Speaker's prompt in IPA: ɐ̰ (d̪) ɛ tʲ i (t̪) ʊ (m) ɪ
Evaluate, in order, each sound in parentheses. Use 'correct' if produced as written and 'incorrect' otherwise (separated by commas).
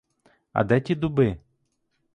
correct, incorrect, incorrect